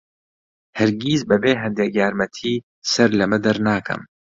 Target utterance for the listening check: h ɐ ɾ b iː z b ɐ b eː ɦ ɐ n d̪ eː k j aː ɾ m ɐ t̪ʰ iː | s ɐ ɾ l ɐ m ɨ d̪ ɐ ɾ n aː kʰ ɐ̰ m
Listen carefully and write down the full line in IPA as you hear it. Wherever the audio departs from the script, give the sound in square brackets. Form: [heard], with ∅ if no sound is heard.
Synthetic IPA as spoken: h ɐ ɾ [ɡ] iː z b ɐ b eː ɦ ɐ n d̪ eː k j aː ɾ m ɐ t̪ʰ iː | s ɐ ɾ l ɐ m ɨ d̪ ɐ ɾ n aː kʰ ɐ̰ m